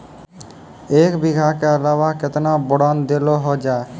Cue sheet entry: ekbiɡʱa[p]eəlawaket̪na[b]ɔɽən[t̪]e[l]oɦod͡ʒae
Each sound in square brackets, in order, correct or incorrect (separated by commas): incorrect, correct, incorrect, correct